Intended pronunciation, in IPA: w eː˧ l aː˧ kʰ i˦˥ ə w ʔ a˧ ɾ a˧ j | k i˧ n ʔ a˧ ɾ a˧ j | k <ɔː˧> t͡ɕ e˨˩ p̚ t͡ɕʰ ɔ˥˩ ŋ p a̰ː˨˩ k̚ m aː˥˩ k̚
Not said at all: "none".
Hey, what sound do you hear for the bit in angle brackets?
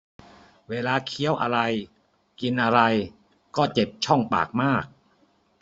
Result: ɔː˥˩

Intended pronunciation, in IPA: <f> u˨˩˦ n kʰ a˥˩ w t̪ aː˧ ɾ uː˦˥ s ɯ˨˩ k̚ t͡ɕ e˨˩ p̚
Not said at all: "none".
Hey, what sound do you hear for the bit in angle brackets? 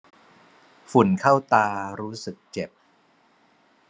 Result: f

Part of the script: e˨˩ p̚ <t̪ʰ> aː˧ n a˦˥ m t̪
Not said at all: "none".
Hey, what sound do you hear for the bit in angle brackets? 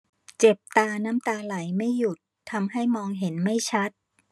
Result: t̪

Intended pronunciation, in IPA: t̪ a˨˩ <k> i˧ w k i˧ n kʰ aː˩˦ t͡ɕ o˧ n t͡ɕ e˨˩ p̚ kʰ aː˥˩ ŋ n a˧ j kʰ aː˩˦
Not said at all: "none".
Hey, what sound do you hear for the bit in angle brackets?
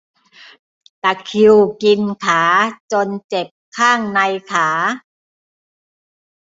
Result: kʰ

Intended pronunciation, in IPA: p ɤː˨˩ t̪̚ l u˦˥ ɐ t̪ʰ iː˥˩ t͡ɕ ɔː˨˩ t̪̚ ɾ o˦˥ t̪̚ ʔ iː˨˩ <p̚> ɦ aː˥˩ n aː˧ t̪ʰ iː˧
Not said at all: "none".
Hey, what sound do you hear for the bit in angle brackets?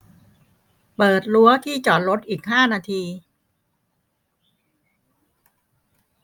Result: k̚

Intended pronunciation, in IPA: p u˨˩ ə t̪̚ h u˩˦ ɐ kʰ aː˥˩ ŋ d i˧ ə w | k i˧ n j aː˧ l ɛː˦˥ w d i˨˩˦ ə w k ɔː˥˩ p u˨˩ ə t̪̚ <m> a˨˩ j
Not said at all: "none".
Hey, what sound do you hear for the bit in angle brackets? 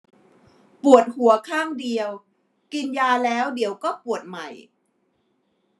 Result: m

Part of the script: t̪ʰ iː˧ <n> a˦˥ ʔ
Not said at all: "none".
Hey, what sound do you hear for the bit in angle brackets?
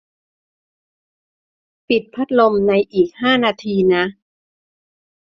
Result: n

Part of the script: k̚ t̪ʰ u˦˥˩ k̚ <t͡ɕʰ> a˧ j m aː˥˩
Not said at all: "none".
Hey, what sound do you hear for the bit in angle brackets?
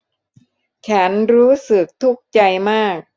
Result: t͡ɕ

